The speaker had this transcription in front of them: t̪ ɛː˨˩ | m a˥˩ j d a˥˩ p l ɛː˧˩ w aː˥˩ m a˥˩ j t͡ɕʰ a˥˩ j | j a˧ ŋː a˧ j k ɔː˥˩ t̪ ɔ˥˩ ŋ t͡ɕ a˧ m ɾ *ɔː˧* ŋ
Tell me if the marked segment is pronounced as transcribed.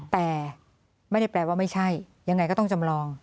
yes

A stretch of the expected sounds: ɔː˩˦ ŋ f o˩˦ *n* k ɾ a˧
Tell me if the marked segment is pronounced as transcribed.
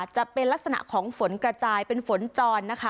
yes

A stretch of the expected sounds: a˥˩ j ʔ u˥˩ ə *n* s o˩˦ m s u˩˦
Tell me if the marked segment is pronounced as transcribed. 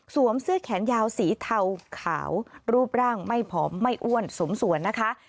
yes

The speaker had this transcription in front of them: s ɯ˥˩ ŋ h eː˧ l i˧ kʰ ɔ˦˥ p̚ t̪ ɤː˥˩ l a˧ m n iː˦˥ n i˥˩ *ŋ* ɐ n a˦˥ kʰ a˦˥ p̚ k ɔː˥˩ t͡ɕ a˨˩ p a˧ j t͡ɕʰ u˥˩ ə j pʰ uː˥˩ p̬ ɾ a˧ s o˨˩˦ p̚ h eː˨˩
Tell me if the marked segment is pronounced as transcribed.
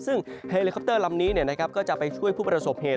no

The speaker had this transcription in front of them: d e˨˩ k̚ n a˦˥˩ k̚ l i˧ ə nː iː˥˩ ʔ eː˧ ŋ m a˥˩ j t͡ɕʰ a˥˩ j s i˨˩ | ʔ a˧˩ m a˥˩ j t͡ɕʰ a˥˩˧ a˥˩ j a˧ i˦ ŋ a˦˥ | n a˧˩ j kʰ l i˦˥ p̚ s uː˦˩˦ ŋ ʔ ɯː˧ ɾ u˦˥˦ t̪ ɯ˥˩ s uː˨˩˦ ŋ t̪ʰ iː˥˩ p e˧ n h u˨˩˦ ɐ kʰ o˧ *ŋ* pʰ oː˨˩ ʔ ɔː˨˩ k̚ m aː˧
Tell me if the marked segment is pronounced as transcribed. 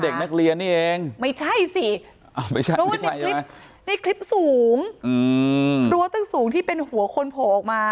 no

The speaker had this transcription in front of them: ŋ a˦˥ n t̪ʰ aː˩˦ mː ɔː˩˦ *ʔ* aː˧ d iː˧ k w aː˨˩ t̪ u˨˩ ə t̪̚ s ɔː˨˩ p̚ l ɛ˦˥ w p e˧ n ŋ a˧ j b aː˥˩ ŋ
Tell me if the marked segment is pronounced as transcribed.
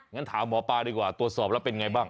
no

